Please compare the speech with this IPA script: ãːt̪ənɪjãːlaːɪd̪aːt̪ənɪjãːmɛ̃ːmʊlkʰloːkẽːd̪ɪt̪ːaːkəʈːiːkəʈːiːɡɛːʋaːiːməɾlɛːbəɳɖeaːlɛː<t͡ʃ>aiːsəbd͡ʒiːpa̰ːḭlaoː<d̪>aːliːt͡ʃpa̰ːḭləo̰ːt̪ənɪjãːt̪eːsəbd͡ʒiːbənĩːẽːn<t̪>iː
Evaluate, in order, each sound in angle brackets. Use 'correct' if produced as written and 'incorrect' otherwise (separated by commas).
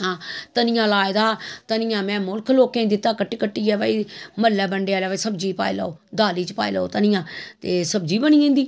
incorrect, correct, incorrect